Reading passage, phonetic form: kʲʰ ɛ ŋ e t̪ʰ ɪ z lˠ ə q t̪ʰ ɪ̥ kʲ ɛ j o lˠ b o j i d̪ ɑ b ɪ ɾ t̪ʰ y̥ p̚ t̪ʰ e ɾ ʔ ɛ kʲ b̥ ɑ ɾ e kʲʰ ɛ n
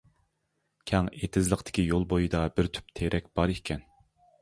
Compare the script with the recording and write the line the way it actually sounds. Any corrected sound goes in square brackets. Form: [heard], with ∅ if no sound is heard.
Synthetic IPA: kʲʰ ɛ ŋ e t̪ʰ ɪ z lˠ ə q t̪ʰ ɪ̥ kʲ [i] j o lˠ b o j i d̪ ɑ b ɪ ɾ t̪ʰ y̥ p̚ t̪ʰ e ɾ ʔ ɛ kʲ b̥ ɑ ɾ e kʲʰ ɛ n